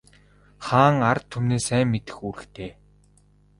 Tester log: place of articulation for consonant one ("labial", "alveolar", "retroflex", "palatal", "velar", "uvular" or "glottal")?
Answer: uvular